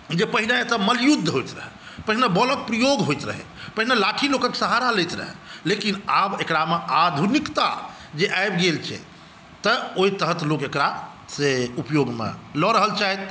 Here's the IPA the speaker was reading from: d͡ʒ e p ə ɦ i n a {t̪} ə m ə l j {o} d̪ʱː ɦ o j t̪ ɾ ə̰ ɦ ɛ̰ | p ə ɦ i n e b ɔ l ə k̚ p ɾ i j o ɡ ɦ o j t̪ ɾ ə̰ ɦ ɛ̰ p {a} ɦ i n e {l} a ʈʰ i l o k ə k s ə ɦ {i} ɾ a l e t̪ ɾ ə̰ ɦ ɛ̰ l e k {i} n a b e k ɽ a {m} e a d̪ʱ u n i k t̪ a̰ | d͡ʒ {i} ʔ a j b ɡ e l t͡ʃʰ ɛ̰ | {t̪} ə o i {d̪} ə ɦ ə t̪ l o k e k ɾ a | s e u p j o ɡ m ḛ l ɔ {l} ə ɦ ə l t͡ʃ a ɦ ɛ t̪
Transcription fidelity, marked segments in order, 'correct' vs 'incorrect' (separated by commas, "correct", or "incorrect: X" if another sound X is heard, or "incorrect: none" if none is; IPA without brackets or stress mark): correct, incorrect: u, incorrect: ə, correct, incorrect: a, correct, correct, incorrect: e, correct, incorrect: t̪, incorrect: ɾ